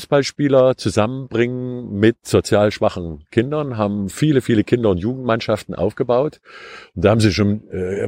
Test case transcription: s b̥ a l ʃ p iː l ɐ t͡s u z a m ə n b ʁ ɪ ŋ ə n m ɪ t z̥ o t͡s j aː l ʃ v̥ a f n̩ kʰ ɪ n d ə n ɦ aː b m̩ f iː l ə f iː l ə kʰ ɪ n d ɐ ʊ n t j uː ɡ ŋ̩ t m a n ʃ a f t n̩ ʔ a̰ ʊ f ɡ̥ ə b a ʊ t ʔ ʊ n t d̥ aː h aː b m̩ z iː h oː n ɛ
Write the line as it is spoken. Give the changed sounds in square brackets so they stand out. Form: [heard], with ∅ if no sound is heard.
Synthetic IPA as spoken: s b̥ a l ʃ p iː l ɐ t͡s u z a m ə n b ʁ ɪ ŋ ə n m ɪ t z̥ o t͡s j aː l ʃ v̥ a [χ] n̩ kʰ ɪ n d [ɐ] n ɦ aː b m̩ f iː l ə f iː l ə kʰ ɪ n d ɐ ʊ n t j uː ɡ ŋ̩ t m a n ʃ a f t n̩ ʔ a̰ ʊ f ɡ̥ ə b a ʊ t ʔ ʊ n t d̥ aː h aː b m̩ z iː [ʃ] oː n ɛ